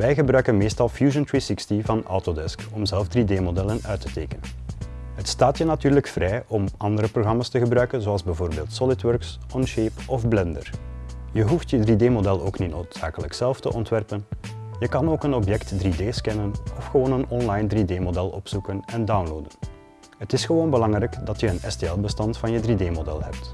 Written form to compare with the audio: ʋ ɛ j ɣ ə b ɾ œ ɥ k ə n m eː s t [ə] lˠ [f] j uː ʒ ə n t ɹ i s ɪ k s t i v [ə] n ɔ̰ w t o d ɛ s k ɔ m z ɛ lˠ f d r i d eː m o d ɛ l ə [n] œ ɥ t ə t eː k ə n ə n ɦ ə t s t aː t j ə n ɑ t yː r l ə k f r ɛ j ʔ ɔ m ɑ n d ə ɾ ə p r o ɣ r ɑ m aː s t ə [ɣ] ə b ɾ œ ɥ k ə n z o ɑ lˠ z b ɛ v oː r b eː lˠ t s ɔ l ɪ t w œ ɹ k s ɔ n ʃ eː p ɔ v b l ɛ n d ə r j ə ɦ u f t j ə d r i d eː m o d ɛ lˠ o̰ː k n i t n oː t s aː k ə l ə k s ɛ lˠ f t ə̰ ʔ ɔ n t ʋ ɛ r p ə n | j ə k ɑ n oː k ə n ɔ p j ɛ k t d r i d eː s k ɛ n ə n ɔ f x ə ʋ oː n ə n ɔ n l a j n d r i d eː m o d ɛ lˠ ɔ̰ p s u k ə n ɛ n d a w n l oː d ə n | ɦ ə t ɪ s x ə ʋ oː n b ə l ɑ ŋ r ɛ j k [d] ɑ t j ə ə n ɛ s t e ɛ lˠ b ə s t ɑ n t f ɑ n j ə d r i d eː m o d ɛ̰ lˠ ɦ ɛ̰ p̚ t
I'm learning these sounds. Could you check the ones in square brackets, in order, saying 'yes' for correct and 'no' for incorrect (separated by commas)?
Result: no, yes, no, yes, yes, yes